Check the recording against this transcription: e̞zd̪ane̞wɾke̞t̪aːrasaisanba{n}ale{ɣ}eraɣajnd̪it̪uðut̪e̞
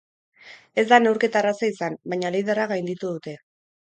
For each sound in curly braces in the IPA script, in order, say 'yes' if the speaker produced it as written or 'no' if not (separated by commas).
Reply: no, no